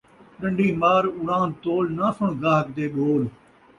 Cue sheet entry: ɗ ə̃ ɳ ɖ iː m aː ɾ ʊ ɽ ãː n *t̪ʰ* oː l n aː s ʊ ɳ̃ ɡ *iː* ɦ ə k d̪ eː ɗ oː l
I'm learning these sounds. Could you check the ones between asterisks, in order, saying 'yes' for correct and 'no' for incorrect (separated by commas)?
no, no